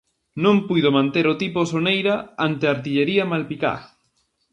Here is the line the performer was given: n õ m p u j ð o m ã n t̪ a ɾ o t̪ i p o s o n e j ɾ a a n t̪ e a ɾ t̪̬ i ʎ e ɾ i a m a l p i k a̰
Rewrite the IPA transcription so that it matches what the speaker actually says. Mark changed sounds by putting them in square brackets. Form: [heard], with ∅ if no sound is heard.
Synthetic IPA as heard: n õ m p u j ð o m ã n t̪ [e] ɾ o t̪ i p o s o n e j ɾ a a n t̪ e a ɾ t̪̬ i ʎ e ɾ i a m a l p i k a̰